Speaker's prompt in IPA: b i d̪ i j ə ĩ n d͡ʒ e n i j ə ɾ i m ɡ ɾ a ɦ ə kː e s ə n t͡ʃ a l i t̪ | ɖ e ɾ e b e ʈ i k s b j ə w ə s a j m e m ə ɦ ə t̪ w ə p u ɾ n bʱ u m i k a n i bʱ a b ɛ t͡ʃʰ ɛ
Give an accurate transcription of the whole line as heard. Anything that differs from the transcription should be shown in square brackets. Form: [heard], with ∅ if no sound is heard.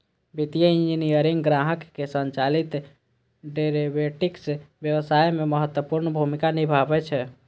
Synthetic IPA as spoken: b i [t̪] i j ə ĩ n d͡ʒ [i] n i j ə ɾ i [ŋ] ɡ ɾ a ɦ ə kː e s ə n t͡ʃ a l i t̪ | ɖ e ɾ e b e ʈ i k s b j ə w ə s a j m e m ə ɦ ə t̪ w ə p u ɾ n bʱ u m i k a n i bʱ a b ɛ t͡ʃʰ ɛ